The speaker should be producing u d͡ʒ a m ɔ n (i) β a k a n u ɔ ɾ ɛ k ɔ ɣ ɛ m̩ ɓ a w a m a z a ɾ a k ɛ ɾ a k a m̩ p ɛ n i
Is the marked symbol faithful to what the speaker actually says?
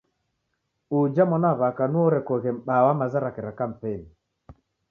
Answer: no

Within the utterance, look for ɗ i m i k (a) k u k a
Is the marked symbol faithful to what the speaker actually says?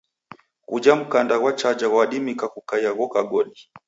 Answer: yes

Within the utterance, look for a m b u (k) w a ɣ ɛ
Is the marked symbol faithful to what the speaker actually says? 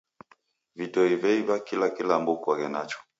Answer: yes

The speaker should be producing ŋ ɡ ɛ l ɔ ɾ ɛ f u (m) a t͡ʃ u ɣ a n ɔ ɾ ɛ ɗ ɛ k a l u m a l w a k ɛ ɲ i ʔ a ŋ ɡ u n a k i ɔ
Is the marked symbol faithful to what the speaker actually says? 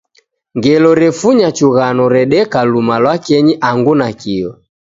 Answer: no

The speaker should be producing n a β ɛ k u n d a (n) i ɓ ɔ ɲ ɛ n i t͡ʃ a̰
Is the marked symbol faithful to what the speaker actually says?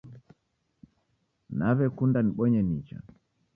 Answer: yes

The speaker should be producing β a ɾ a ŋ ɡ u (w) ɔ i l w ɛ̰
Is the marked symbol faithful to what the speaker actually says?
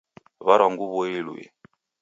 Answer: no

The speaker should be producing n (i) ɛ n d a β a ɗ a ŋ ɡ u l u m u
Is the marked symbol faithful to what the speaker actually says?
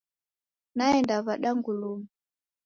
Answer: no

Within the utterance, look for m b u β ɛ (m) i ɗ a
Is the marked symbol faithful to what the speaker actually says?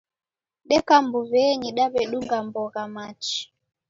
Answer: no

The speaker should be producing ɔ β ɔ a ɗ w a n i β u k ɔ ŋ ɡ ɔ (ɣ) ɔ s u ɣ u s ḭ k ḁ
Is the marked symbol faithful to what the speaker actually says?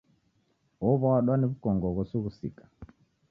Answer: yes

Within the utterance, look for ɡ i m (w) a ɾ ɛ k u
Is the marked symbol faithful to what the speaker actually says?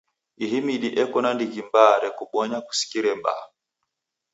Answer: no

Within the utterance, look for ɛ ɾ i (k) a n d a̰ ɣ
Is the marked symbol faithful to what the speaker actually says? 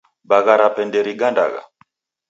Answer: no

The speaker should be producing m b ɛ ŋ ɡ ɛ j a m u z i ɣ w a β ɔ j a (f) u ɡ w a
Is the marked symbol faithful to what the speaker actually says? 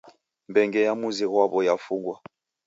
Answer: yes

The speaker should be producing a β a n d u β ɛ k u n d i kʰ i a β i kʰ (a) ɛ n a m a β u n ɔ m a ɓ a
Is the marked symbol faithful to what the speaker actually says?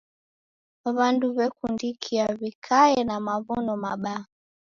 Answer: yes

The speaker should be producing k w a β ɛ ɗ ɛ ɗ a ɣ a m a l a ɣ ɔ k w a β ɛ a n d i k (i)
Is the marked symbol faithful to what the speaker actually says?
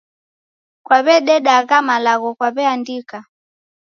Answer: no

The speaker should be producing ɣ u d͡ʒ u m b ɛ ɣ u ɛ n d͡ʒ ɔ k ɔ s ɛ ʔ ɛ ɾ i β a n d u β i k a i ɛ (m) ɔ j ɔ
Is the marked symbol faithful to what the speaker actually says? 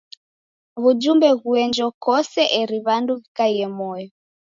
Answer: yes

